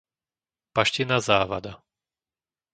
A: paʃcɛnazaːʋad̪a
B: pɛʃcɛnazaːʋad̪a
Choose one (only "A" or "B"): A